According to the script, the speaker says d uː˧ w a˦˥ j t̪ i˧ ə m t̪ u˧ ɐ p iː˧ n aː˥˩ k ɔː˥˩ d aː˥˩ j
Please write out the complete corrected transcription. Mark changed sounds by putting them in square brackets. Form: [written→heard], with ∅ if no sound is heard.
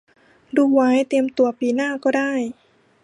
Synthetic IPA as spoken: d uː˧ w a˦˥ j t̪ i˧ ə m t̪ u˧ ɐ p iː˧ n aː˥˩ k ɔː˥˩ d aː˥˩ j